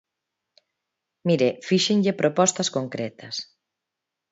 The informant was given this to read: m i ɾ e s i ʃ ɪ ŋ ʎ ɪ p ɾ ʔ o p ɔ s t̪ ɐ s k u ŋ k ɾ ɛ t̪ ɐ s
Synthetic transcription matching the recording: m i ɾ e f i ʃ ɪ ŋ ʎ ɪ p ɾ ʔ o p ɔ s t̪ ɐ s k o ŋ k ɾ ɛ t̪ ɐ s